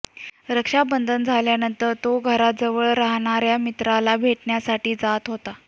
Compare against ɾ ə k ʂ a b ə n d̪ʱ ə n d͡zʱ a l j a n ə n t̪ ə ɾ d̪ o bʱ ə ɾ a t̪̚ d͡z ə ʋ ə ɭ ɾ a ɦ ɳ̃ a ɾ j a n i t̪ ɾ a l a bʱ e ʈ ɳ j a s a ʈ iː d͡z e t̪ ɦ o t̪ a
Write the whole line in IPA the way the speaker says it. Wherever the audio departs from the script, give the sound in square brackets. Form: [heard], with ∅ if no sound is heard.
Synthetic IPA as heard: ɾ ə k ʂ a b ə n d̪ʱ ə n d͡zʱ a l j a n ə n t̪ ə ɾ [t̪] o [ɡʱ] ə ɾ a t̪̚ d͡z ə ʋ ə ɭ ɾ a ɦ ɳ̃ a ɾ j a [m] i t̪ ɾ a l a bʱ e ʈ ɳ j a s a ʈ iː d͡z [a] t̪ ɦ o t̪ a